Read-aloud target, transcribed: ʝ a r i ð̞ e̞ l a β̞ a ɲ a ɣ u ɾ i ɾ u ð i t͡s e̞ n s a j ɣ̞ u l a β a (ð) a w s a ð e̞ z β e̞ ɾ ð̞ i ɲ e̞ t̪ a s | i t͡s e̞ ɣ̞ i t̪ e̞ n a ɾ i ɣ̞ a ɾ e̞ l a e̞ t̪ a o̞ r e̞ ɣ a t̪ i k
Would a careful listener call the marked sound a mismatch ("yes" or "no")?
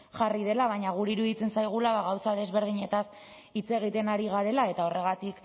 yes